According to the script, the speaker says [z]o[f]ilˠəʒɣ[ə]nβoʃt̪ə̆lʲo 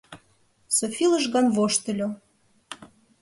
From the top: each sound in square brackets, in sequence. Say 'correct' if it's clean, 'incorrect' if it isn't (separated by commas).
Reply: incorrect, correct, incorrect